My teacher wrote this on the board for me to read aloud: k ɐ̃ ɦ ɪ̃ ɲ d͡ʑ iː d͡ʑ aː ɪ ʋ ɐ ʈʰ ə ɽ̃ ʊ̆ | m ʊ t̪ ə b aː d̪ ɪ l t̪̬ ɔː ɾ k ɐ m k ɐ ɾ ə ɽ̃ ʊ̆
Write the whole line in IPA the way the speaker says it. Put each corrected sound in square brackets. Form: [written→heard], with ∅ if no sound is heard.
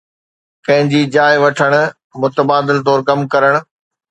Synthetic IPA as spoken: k ɐ̃ ɦ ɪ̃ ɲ d͡ʑ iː d͡ʑ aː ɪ ʋ ɐ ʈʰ ə ɽ̃ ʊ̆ | m ʊ t̪ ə b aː d̪ ɪ l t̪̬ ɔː ɾ k ɐ m k ɐ ɾ ə ɽ̃ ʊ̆